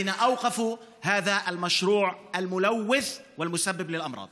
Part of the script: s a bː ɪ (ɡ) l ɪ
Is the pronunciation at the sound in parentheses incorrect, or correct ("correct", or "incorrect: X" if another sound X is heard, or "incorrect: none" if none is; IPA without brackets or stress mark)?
incorrect: b